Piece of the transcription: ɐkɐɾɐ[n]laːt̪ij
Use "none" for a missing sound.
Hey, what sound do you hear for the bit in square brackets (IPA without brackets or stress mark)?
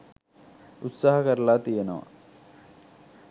none